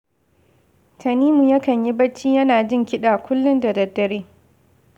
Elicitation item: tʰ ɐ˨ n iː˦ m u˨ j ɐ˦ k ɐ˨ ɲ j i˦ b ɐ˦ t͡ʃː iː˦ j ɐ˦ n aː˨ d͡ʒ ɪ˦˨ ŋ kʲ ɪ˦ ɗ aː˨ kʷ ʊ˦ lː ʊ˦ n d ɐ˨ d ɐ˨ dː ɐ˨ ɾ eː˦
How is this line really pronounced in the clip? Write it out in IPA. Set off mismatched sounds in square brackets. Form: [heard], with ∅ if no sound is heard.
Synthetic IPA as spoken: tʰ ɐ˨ n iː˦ m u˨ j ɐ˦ k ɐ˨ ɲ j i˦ b ɐ˦ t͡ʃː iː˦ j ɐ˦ n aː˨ d͡ʒ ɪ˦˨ ŋ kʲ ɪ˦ ɗ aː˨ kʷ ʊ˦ lː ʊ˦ n d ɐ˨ d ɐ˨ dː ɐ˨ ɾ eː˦

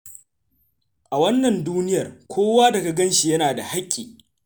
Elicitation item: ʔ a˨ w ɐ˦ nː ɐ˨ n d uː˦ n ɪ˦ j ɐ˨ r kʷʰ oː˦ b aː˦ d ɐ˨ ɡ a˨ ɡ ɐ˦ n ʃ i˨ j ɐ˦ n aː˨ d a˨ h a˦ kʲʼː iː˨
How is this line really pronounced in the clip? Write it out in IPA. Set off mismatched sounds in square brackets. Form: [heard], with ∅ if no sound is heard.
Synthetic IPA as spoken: ʔ a˨ w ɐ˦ nː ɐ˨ n d uː˦ n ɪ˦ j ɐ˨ r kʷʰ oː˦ [w] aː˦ d ɐ˨ ɡ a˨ ɡ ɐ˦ n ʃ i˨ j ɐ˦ n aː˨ d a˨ h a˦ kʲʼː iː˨

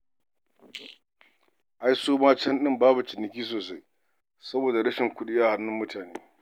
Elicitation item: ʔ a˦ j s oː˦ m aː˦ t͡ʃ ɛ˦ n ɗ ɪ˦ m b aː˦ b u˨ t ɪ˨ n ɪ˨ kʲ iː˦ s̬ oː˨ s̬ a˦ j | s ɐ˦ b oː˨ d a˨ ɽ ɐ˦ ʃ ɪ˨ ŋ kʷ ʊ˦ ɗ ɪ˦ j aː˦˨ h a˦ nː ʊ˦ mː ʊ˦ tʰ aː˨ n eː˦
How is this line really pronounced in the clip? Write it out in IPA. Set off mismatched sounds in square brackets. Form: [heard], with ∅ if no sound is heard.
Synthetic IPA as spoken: ʔ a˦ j s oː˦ m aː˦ t͡ʃ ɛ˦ n ɗ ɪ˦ m b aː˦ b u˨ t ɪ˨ n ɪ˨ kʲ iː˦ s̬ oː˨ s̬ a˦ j | s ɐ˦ b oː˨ d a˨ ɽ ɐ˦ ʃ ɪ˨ ŋ kʷ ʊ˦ ɗ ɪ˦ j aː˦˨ h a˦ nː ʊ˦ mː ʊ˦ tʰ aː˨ n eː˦

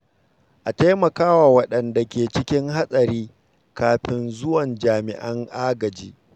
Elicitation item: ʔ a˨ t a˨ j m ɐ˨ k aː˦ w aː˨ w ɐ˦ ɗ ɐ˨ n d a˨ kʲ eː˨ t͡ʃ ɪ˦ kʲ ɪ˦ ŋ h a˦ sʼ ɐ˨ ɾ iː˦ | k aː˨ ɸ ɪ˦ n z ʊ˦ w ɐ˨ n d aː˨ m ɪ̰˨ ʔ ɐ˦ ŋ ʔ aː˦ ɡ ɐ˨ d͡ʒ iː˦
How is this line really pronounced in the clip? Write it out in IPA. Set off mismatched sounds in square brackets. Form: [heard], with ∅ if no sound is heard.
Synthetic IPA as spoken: ʔ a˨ t [a˦] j m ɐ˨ k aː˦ w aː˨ w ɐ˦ ɗ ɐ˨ n d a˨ kʲ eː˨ t͡ʃ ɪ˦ kʲ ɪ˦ ŋ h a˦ sʼ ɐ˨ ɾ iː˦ | k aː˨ ɸ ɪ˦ n z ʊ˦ w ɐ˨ n [d͡ʒ] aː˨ m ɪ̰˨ ʔ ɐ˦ ŋ ʔ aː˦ ɡ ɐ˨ d͡ʒ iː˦

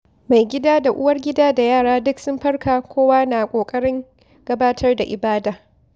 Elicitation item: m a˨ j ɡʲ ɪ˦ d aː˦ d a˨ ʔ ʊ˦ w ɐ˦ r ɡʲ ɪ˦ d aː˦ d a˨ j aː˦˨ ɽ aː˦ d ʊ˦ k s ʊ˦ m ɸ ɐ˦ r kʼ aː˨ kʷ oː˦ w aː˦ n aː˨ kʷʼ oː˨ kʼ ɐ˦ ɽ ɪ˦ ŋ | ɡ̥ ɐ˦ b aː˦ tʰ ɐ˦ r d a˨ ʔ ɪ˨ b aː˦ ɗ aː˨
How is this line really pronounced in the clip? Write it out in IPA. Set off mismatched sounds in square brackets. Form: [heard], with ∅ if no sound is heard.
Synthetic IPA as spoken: m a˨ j ɡʲ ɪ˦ d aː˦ d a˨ ʔ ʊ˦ w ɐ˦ r ɡʲ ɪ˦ d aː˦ d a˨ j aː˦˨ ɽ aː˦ d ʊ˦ k s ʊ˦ m ɸ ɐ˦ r [k] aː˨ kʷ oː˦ w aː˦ n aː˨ kʷʼ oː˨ kʼ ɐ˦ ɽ ɪ˦ ŋ | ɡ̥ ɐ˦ b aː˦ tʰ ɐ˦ r d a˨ ʔ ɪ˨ b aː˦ [d] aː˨

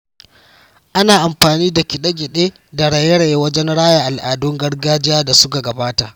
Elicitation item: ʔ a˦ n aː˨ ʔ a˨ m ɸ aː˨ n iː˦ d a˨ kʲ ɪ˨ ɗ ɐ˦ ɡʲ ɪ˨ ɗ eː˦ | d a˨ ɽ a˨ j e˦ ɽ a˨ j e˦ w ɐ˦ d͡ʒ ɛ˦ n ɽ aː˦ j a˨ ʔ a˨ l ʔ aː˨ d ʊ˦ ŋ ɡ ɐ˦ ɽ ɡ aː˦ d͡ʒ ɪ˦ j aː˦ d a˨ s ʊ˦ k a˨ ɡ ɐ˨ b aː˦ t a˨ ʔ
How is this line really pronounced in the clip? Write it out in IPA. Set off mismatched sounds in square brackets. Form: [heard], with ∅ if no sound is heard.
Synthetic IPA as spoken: ʔ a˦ n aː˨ ʔ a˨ m ɸ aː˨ n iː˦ d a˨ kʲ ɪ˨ ɗ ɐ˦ ɡʲ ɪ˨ ɗ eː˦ | d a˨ ɽ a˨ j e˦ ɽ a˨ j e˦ w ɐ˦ d͡ʒ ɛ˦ n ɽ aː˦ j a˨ ʔ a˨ l ʔ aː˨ d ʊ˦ ŋ ɡ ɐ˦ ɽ ɡ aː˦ d͡ʒ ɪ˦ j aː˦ d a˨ s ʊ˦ k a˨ ɡ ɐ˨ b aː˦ t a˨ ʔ

